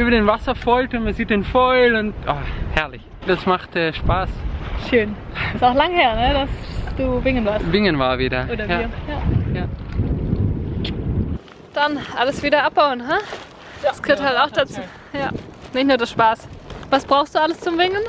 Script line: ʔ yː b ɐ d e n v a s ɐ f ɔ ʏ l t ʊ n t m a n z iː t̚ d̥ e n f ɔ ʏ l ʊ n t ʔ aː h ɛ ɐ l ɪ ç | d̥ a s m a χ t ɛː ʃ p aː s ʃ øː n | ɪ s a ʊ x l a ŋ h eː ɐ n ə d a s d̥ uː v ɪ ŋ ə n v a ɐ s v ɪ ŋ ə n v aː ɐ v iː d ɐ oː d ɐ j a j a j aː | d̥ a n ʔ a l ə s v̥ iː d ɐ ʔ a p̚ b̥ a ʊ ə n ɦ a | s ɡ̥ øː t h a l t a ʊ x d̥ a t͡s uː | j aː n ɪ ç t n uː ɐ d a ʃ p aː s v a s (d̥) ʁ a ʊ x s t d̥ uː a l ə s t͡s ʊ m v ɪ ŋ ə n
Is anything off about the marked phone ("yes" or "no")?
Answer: yes